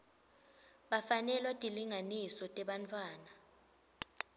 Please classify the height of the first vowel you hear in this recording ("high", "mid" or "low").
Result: low